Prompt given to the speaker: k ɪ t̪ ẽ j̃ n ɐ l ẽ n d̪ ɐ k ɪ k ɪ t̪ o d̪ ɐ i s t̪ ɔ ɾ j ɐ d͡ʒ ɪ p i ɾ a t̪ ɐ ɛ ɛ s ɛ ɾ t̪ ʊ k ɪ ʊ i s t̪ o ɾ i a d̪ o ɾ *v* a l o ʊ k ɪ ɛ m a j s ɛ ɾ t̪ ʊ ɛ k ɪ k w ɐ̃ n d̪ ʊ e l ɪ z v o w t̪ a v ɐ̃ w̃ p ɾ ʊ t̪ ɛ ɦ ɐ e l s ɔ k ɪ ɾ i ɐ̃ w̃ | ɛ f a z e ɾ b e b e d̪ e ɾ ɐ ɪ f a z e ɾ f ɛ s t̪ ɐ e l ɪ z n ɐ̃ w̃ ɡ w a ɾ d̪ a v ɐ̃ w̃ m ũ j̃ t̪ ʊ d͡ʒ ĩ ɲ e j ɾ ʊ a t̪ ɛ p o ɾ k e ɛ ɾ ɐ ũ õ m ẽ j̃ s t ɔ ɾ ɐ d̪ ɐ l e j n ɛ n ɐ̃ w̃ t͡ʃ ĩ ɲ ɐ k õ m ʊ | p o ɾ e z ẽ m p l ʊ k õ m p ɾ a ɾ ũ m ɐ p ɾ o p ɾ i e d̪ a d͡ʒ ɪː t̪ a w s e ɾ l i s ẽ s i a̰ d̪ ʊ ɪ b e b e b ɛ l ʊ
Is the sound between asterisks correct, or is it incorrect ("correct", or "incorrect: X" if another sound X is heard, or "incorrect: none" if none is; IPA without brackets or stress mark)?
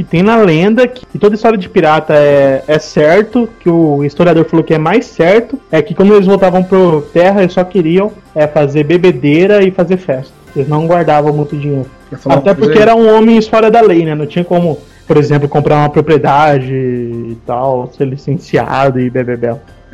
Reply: incorrect: f